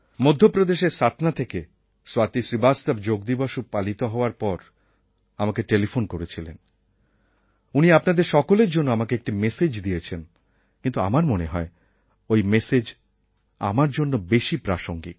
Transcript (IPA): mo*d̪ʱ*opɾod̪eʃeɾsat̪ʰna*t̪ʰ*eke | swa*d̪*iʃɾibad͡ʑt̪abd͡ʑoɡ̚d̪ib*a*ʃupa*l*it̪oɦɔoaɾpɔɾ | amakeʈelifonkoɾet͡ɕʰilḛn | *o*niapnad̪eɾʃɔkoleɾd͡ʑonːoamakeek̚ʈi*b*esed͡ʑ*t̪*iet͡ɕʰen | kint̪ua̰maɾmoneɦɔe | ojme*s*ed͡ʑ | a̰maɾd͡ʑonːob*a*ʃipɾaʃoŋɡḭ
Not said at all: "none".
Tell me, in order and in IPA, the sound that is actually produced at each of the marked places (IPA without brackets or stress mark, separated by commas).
d̪ʱː, t̪ʰ, t̪, a, l, u, m, d̪, s, e